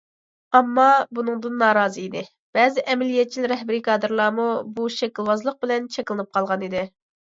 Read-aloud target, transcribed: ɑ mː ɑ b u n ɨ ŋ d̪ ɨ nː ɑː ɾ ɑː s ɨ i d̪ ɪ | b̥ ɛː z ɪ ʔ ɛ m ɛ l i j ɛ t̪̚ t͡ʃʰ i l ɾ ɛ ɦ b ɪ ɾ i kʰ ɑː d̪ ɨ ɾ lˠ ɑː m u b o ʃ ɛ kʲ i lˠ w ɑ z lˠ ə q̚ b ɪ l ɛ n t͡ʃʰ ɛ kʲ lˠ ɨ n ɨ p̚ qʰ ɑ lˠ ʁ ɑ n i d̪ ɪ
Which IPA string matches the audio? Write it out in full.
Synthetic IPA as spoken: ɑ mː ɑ b u n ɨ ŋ d̪ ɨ nː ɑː ɾ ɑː z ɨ i d̪ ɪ | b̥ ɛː z ɪ ʔ ɛ m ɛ l i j ɛ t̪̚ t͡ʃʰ i l ɾ ɛ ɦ b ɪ ɾ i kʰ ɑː d̪ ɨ ɾ lˠ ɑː m u b u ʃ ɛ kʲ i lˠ w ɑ z lˠ ə q̚ b ɪ l ɛ n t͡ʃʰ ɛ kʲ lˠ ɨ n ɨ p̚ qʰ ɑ lˠ ʁ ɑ n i d̪ ɪ